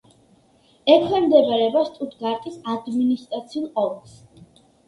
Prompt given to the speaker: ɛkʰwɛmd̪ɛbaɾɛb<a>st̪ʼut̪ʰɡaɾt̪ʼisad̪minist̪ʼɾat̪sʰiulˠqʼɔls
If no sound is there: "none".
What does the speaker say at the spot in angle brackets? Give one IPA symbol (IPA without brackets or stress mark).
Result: a